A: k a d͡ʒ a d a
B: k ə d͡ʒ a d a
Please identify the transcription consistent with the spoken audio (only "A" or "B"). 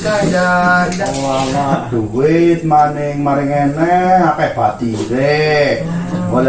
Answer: A